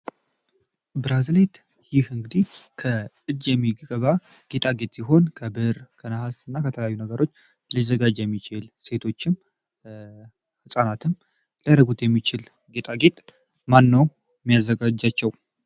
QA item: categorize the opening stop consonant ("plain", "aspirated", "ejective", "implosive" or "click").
plain